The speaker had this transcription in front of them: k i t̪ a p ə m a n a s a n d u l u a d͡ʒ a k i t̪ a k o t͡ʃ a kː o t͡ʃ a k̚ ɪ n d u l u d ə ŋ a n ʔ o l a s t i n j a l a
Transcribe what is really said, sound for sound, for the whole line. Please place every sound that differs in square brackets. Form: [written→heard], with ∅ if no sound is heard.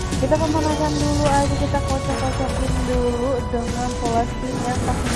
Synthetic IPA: k i t̪ a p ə m a n a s a n d u l u a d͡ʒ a k i t̪ a k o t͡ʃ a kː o t͡ʃ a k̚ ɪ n d u l u d ə ŋ a n [ʔ→p] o l a s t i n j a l a